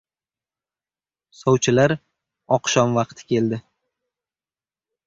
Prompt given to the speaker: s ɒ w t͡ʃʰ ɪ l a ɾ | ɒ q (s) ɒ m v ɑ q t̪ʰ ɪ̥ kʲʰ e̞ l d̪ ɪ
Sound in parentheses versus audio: incorrect: ʃ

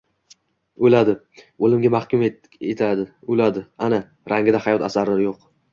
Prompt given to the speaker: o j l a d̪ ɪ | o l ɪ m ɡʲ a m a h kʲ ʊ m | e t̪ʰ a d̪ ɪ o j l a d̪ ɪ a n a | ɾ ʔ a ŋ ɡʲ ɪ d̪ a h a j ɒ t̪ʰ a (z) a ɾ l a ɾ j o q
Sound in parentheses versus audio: incorrect: s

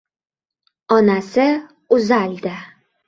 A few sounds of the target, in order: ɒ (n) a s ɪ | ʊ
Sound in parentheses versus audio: correct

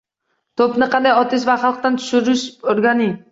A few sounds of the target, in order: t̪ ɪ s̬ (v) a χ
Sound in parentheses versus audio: correct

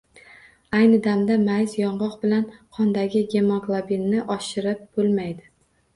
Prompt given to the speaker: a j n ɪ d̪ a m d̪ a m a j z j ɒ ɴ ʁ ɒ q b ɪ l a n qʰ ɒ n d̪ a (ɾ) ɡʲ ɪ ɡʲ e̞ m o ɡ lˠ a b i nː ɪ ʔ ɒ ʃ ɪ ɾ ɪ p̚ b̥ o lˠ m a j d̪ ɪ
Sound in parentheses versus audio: incorrect: none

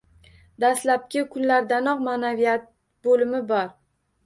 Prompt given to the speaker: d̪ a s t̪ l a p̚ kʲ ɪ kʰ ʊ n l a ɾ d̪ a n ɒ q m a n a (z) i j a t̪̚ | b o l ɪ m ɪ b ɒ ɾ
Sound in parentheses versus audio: incorrect: v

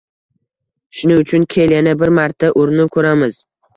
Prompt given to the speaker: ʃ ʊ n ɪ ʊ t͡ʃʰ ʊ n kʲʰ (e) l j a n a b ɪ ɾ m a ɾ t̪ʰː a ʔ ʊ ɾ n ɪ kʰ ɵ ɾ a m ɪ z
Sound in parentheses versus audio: correct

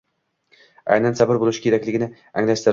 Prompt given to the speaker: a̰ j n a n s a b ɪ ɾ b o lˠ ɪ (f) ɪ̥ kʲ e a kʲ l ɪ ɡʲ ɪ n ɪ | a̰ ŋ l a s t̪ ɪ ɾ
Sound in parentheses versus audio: incorrect: ʃ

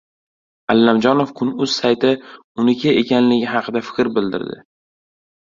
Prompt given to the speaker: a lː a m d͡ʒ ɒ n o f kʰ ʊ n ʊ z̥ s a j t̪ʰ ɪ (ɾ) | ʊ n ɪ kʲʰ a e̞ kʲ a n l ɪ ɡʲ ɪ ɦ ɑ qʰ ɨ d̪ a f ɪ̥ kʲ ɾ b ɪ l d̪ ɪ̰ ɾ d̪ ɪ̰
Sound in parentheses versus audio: incorrect: none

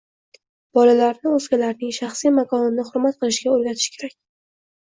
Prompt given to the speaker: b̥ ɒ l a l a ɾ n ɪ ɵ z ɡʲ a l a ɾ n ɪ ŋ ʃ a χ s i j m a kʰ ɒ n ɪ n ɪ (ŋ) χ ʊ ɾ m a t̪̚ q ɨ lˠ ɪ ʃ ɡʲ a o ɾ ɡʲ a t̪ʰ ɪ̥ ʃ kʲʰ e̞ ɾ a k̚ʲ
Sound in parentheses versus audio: incorrect: none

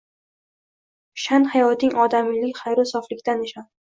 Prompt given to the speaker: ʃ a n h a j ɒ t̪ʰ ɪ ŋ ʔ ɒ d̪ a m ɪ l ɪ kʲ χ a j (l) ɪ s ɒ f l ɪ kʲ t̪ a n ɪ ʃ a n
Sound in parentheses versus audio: incorrect: ɾ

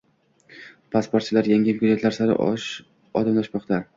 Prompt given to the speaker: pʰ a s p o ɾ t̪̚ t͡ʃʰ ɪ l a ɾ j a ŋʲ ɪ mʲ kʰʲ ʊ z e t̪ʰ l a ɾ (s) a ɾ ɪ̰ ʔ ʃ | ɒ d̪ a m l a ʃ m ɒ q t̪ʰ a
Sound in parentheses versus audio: correct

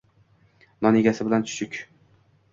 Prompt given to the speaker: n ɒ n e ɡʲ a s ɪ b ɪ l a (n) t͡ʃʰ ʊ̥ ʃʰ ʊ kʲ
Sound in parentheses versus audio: correct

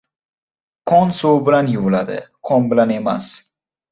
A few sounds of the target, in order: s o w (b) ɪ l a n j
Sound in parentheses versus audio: correct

